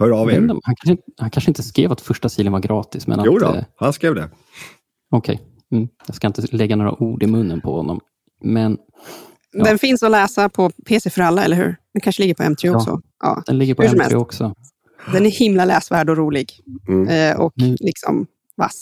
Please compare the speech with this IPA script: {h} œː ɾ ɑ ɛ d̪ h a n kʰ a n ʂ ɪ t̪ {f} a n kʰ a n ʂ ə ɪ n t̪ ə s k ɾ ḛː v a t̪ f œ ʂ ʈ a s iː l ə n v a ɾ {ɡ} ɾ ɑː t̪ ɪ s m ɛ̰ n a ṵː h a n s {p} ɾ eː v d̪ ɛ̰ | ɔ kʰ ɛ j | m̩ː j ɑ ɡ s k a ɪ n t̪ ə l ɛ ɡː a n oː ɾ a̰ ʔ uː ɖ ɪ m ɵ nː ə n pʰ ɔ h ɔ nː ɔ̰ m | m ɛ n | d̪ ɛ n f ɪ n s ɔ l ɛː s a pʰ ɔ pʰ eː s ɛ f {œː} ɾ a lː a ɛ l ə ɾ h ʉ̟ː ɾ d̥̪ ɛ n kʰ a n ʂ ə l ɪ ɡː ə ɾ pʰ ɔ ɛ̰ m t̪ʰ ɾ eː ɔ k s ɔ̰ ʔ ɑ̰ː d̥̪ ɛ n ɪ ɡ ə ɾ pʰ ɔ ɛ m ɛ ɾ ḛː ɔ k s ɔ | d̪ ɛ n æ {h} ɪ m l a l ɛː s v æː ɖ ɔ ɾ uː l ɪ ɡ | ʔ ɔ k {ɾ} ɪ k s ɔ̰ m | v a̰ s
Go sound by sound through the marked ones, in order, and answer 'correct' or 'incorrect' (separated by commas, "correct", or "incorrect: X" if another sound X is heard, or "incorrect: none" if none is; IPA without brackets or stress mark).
correct, incorrect: h, correct, incorrect: k, incorrect: œ, correct, incorrect: l